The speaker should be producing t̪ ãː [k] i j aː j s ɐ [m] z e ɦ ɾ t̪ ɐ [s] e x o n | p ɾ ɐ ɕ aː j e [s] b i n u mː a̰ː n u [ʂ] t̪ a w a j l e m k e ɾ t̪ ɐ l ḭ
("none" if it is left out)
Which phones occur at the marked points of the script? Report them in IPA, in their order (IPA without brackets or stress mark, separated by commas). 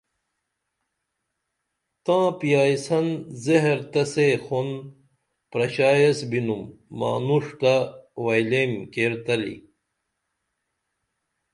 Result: p, n, s, s, ʂ